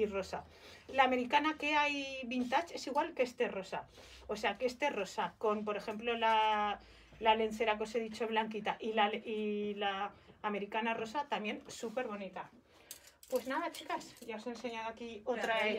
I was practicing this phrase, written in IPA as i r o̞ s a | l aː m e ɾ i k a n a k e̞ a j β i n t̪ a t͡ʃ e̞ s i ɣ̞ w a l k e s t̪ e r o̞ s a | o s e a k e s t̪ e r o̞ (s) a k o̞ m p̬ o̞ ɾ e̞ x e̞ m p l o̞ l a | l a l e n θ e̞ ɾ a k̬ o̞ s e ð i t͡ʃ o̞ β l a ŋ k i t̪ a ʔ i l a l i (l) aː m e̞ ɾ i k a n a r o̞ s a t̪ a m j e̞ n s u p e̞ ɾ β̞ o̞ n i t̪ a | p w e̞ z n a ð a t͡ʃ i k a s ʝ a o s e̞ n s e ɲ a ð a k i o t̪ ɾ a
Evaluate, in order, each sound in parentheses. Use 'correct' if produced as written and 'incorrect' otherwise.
correct, correct

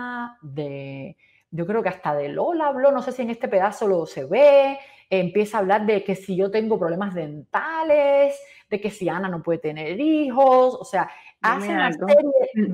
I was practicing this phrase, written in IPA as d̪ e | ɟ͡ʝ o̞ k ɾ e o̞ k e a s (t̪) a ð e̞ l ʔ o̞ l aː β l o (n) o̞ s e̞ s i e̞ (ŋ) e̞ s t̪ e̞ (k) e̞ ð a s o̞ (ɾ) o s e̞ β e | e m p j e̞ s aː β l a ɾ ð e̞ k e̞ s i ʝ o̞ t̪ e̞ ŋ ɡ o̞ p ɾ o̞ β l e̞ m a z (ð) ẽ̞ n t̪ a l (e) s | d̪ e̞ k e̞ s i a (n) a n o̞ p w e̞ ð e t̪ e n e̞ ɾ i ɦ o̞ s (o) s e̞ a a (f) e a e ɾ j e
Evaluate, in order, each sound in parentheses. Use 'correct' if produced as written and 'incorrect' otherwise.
correct, correct, correct, incorrect: p, incorrect: l, correct, correct, correct, correct, incorrect: s

